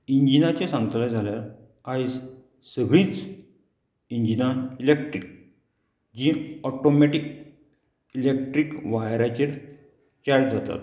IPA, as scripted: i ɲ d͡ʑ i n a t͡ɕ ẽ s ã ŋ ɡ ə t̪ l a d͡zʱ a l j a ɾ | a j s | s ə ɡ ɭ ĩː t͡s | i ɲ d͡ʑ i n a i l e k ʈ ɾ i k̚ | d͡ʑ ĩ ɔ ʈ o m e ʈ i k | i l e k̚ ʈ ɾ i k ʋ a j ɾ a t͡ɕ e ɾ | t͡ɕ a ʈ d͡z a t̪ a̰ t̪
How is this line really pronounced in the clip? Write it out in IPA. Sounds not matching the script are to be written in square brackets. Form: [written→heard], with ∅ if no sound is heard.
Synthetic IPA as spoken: i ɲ d͡ʑ i n a t͡ɕ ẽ s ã ŋ ɡ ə t̪ l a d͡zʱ a l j a ɾ | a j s | s ə ɡ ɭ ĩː t͡s | i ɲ d͡ʑ i n a i l e k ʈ ɾ i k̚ | d͡ʑ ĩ ɔ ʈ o m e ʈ i k | i l e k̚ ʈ ɾ i k ʋ a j ɾ a t͡ɕ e ɾ | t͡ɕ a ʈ d͡z a t̪ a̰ t̪